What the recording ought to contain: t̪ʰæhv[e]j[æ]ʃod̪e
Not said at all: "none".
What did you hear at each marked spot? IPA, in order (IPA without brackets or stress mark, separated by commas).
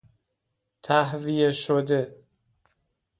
i, e